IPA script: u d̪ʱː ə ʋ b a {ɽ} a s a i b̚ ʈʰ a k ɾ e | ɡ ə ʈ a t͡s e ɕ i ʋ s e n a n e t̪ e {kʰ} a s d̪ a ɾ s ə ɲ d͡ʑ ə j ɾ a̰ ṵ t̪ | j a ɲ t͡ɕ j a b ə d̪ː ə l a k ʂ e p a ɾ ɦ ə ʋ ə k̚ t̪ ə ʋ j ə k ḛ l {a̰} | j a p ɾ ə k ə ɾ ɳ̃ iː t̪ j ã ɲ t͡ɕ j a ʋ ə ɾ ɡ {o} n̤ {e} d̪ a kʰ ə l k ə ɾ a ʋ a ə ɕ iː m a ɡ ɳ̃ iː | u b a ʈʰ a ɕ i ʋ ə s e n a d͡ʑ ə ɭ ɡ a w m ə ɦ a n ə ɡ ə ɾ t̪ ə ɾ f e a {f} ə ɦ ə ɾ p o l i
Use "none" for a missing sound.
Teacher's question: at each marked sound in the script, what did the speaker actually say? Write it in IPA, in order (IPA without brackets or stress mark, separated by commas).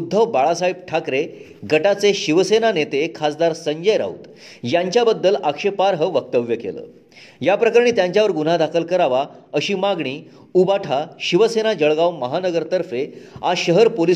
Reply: ɭ, kʰ, ə̰, u, a, ɕ